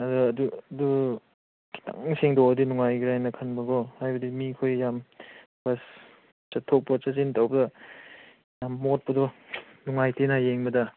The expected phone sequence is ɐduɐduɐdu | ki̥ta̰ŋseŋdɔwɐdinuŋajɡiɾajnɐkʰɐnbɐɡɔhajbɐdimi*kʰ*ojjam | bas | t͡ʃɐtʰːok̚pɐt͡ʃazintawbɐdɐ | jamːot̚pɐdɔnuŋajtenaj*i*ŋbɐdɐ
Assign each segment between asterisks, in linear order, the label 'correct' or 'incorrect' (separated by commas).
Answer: correct, incorrect